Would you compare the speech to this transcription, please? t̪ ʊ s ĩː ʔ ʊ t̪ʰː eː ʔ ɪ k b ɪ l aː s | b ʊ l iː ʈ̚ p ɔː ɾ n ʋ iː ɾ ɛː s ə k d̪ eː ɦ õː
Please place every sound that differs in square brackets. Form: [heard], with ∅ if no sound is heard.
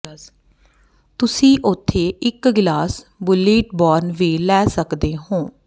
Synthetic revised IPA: t̪ ʊ s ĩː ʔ ʊ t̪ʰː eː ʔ ɪ k [ɡ] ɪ l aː s | b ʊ l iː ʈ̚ [b] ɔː ɾ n ʋ iː [l] ɛː s ə k d̪ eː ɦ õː